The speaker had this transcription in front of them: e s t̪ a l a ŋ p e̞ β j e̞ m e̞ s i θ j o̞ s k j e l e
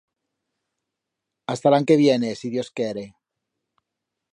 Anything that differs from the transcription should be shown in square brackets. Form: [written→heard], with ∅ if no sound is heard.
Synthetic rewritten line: [e→a] s t̪ a l a ŋ [p→k] e̞ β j e̞ [m→n] e̞ s i [θ→ð] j o̞ s k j e [l→ɾ] e